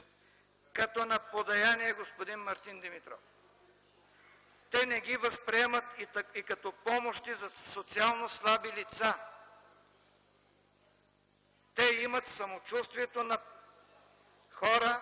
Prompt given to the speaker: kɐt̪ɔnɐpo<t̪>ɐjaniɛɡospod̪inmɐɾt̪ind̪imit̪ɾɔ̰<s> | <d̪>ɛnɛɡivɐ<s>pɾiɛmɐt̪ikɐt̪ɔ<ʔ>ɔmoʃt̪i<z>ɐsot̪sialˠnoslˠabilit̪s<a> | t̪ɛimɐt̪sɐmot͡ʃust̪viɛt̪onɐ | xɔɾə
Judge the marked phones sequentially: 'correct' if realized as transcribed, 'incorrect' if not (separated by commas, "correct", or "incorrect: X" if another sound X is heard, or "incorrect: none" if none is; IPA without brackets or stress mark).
incorrect: d̪, incorrect: f, incorrect: t̪, correct, incorrect: p, correct, correct